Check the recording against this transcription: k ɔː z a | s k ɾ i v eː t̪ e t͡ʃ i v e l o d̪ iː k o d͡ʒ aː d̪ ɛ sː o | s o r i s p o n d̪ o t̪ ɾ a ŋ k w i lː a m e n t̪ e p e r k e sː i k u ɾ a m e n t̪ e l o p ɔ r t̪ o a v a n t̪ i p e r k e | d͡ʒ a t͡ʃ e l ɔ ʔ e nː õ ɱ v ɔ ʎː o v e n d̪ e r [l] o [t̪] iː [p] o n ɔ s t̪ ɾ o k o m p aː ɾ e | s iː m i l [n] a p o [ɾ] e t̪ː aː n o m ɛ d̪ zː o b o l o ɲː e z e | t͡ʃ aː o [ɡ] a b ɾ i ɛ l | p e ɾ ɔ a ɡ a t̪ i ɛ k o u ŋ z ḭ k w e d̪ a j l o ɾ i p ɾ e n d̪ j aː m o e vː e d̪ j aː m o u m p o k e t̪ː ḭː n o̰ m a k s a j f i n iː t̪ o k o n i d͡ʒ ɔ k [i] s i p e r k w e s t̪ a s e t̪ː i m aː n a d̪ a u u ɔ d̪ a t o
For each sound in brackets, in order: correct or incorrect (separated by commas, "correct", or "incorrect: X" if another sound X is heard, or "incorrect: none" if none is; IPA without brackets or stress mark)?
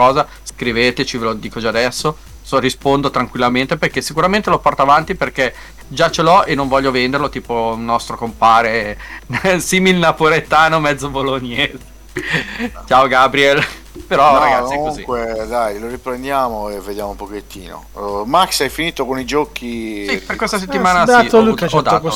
correct, correct, correct, correct, correct, correct, correct